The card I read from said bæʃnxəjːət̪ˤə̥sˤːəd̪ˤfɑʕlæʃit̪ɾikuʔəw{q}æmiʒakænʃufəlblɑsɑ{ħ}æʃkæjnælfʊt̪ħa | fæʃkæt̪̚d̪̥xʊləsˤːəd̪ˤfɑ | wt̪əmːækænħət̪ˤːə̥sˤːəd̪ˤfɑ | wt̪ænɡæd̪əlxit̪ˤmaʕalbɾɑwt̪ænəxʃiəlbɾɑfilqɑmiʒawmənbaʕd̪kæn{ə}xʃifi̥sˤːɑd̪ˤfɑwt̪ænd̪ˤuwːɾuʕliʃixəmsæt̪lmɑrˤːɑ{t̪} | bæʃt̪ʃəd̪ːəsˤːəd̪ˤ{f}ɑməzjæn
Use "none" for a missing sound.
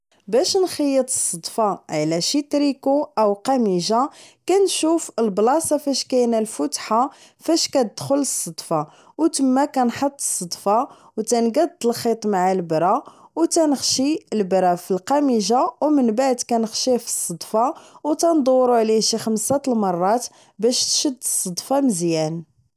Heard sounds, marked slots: q, f, ə, t̪, f

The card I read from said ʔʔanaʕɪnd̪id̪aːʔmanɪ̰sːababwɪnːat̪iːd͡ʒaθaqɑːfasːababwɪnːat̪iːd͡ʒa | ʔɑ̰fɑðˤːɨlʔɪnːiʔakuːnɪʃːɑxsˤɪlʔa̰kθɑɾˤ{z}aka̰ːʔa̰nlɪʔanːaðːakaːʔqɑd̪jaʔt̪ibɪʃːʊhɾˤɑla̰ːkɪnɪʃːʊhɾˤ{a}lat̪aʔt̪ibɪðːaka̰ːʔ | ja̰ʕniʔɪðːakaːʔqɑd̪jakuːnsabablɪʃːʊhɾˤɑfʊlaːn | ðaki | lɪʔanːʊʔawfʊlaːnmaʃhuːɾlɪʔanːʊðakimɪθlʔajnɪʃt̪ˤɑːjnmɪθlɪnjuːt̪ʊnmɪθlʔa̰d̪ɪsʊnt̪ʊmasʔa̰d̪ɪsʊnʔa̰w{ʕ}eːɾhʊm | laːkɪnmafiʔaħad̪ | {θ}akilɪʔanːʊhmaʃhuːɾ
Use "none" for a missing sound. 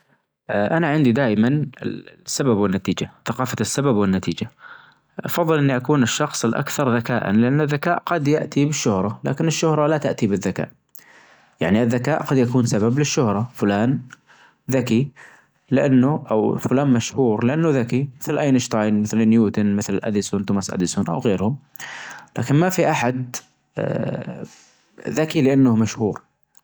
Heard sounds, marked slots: ð, ɑ, ɣ, ð

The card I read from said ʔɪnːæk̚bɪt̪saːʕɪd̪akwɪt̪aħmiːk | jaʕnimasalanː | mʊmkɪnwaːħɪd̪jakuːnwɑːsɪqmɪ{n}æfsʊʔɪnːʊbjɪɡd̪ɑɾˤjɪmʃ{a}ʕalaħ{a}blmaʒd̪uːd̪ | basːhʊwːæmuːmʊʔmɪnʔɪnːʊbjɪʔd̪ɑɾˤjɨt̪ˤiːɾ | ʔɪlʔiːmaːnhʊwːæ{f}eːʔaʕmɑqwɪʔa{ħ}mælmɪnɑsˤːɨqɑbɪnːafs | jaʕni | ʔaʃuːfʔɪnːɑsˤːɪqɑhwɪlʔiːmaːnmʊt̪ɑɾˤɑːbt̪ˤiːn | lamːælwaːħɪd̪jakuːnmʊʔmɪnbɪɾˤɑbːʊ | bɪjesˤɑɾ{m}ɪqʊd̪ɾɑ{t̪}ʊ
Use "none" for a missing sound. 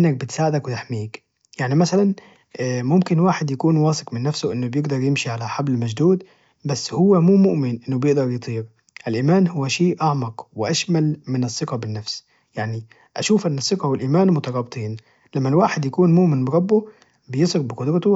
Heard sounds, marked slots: nː, i, a, ʃ, ʃ, b, t̪

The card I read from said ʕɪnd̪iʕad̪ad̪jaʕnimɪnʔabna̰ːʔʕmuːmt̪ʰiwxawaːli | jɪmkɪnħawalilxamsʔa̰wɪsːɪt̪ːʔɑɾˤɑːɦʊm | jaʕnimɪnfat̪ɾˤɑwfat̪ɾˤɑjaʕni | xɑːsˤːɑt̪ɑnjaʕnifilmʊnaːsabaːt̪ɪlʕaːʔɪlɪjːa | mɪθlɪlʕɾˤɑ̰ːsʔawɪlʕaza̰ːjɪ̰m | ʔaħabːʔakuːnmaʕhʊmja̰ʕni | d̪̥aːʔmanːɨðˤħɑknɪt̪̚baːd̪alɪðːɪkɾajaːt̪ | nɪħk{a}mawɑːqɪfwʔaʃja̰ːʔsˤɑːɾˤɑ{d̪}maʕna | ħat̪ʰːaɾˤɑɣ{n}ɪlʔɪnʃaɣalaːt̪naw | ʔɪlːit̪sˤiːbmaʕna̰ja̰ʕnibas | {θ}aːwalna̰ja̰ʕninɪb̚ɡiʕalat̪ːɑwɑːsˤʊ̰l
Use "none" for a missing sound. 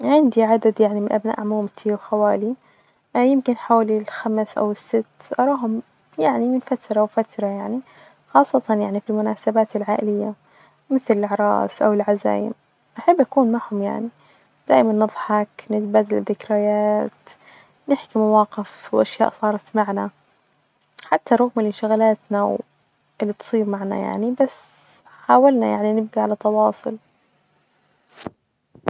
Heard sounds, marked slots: i, t̪, m, ħ

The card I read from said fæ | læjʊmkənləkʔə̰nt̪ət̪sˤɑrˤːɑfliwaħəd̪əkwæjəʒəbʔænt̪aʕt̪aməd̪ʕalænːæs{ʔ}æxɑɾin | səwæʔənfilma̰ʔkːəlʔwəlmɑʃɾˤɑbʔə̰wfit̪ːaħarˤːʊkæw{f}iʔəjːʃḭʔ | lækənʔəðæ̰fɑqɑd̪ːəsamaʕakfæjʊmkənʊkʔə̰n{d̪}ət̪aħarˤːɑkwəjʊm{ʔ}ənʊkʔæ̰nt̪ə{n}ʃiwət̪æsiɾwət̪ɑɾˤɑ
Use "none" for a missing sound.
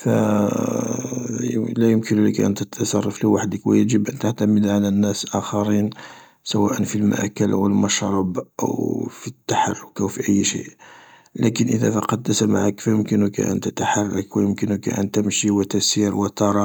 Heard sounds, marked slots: ʔ, f, t̪, k, m

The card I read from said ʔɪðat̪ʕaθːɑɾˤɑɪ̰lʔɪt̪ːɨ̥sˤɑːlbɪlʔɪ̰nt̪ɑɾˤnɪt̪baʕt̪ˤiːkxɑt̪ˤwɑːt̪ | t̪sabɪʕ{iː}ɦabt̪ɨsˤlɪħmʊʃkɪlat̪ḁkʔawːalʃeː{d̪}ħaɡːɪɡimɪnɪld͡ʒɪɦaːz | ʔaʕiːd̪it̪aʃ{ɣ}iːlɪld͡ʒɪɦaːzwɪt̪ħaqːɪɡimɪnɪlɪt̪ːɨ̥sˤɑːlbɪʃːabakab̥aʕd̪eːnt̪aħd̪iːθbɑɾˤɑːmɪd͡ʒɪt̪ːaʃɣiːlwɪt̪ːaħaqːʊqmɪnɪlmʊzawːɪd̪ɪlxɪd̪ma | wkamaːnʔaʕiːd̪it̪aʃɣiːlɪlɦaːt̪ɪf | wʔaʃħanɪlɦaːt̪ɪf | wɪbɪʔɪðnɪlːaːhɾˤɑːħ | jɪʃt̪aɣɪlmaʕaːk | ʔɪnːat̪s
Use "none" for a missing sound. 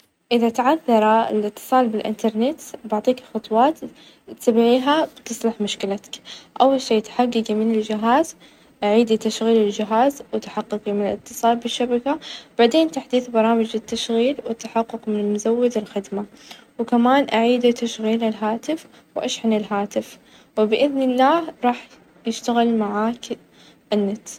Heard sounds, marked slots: iː, t̪, ɣ

